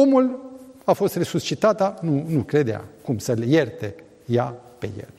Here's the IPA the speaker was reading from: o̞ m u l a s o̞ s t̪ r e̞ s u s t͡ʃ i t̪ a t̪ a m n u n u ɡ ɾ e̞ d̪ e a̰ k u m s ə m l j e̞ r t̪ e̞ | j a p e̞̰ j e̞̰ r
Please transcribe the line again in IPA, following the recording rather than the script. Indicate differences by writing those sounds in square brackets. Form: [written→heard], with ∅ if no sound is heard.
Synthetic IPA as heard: o̞ m u l a [s→f] o̞ s t̪ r e̞ s u s t͡ʃ i t̪ a t̪ a [m→∅] n u n u [ɡ→k] ɾ e̞ d̪ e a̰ k u m s ə [m→∅] l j e̞ r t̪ e̞ | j a p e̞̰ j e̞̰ [r→l]